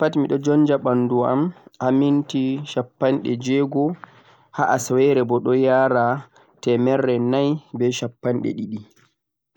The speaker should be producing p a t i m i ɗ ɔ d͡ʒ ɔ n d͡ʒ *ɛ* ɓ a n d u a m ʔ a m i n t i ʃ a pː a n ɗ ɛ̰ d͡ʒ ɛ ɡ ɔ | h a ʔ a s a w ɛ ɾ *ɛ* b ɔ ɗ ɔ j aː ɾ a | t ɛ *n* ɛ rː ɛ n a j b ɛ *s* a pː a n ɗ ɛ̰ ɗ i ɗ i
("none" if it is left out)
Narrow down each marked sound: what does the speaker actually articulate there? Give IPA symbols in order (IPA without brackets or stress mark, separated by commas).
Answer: a, ɛ, m, ʃ